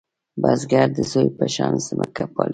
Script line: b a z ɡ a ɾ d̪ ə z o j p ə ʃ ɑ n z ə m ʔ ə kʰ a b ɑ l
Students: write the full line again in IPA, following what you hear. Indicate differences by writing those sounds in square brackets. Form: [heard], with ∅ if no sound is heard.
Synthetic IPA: b a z ɡ a ɾ d̪ ə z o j p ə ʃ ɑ n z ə m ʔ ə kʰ a [p] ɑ l

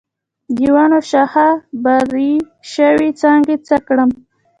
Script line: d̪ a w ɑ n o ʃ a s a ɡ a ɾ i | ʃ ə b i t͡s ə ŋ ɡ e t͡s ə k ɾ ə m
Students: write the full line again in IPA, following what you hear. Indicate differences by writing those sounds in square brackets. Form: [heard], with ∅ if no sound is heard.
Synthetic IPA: d̪ [i] w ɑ n o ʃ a [h] a [b] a ɾ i | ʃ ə [w] i t͡s [ɑ] ŋ ɡ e t͡s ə k [ɽ] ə m

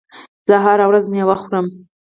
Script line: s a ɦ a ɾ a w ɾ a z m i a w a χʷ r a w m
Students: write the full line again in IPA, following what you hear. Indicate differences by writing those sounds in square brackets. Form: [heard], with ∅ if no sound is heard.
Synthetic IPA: [z] a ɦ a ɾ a w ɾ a z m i a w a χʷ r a [∅] m

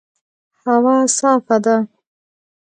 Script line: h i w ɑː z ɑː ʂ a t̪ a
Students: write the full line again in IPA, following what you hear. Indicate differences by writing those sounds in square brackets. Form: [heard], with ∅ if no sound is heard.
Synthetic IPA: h [a] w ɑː [s] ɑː [f] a [d̪] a

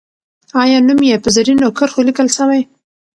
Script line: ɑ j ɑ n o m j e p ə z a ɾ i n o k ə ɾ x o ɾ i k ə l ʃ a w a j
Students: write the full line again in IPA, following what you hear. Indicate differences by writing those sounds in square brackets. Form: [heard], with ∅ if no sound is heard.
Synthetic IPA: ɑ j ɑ n [u] m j e p ə z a ɾ i n o k ə ɾ x o [l] i k ə l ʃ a w a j

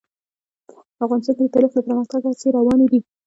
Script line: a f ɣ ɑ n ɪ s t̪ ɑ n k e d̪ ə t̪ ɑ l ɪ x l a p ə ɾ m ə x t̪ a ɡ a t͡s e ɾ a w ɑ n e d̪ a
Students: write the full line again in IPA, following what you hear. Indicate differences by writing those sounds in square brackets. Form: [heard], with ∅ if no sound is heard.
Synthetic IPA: a f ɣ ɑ n ɪ s t̪ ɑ n k e d̪ ə t̪ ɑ l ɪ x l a p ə ɾ m ə x t̪ a ɡ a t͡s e ɾ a w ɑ n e d̪ [i]

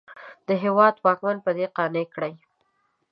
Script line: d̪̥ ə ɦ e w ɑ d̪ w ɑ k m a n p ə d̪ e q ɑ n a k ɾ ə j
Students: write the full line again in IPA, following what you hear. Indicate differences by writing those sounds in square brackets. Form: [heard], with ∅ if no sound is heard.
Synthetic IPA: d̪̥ ə ɦ e w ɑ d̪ w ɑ k m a n p ə d̪ e q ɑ n [e] k [ɽ] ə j

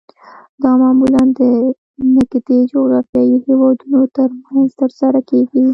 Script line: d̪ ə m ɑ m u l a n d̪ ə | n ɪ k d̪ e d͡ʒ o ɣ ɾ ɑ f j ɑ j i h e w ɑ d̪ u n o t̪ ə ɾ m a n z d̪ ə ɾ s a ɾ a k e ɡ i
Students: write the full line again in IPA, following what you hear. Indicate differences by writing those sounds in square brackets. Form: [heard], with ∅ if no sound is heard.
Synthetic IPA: d̪ [ɑ] m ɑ m u l a n d̪ ə | n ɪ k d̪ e d͡ʒ o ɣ ɾ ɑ f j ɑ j i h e w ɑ d̪ u n o t̪ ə ɾ m a n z [t̪] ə ɾ s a ɾ a k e ɡ i

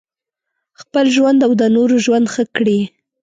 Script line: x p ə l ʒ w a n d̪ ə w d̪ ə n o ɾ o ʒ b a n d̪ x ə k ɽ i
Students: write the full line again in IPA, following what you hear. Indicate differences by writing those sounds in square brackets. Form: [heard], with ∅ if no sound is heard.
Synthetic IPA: x p ə l ʒ w a n d̪ [a] w d̪ ə n o ɾ o ʒ [w] a n d̪ x ə k ɽ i

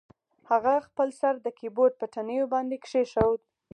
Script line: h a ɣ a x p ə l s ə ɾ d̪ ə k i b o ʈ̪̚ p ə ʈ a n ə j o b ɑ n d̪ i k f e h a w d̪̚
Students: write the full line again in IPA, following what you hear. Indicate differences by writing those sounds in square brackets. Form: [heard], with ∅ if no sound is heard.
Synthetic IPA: h a ɣ a x p ə l s [a] ɾ d̪ ə k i b o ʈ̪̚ p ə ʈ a n ə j o b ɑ n d̪ [e] k [ʂ] e [ʃ] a w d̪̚

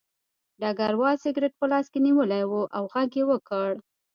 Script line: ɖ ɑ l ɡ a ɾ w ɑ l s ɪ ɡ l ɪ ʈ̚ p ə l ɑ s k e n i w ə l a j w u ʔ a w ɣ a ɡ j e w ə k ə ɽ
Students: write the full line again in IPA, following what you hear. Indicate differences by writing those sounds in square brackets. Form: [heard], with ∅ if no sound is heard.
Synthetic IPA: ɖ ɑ [∅] ɡ a ɾ w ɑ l s ɪ ɡ [ɾ] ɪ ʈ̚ p ə l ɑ s k e n i w ə l a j w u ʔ a w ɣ a ɡ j e w ə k ə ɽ

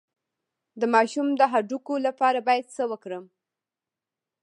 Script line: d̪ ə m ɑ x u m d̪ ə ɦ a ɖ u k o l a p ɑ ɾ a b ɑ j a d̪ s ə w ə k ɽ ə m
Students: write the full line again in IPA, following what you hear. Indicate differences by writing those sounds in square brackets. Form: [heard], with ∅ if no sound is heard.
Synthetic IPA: d̪ ə m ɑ [ʃ] u m d̪ ə ɦ a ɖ u k o l a p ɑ ɾ a b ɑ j a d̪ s ə w ə k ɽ ə m

